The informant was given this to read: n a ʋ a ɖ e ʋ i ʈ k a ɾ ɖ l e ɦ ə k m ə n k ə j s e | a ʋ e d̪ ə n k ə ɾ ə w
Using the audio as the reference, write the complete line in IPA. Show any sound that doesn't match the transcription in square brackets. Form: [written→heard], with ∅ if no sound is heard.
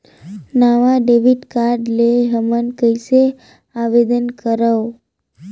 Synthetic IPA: n a ʋ a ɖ e ʋ i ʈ k a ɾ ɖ l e ɦ ə [k→∅] m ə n k ə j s e | a ʋ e d̪ ə n k ə ɾ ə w